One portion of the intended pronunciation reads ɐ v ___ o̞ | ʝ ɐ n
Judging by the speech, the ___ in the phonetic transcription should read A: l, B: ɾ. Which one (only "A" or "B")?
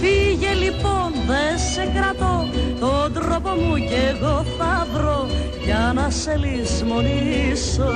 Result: B